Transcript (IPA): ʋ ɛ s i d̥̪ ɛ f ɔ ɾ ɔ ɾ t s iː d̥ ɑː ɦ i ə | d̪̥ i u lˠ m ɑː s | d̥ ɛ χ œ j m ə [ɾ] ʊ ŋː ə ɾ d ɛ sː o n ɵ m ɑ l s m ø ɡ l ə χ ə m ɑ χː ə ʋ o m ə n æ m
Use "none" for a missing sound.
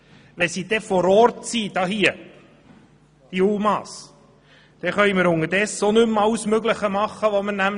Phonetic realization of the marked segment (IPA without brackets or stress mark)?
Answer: ɾ